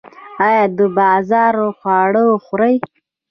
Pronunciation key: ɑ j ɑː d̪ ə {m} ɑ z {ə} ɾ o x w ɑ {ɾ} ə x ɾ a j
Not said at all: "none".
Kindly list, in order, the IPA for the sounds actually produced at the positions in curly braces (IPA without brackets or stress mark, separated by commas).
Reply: b, ɑ, ɽ